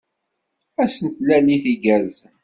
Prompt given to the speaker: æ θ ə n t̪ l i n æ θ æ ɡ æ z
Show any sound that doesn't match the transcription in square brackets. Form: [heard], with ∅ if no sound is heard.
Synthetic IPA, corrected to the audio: æ [s] ə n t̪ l [æ] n [i] θ [i] ɡ æ z